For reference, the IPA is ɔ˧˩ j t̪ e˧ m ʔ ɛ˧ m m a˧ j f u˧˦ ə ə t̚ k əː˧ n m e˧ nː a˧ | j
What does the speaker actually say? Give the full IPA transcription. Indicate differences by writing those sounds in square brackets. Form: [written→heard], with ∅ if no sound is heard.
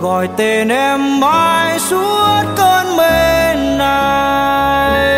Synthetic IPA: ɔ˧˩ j t̪ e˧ [m→n] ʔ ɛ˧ m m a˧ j [f→s] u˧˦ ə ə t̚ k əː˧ n m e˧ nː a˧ | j